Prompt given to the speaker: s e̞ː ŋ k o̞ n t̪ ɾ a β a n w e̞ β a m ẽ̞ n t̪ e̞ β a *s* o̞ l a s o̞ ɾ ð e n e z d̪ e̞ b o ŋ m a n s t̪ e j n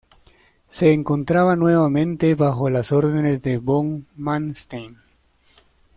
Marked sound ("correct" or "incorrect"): incorrect